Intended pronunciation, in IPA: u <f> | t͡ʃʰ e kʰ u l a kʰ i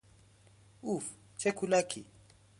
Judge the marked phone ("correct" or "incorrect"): correct